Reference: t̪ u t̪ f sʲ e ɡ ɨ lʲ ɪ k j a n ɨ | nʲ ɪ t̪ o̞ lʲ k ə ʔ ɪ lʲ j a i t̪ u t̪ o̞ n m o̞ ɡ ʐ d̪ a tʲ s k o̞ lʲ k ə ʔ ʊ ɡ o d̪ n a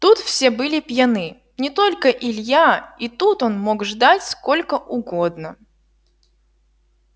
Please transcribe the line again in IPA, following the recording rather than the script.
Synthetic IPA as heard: t̪ u t̪ f sʲ e b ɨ lʲ ɪ p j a n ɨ | nʲ ɪ t̪ o̞ lʲ k ə ʔ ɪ lʲ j a i t̪ u t̪ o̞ n m o̞ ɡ ʐ d̪ a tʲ s k o̞ lʲ k ə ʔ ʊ ɡ o d̪ n ə